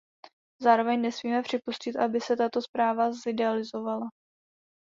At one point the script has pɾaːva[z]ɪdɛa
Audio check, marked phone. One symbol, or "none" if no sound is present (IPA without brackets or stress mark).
z